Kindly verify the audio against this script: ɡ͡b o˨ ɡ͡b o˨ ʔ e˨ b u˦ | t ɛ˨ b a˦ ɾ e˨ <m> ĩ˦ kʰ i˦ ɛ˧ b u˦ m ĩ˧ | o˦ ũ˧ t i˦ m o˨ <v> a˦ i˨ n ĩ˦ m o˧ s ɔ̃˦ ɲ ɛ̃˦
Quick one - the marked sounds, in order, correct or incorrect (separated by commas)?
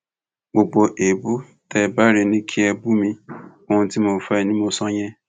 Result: incorrect, incorrect